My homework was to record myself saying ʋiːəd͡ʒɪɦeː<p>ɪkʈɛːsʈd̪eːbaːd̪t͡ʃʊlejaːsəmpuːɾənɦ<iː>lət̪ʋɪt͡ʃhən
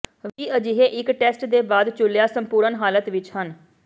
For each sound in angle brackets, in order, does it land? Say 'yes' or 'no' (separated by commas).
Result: no, no